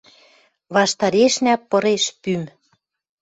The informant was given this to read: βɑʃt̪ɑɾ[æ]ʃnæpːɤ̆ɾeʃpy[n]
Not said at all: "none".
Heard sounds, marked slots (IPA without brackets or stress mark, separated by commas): e, m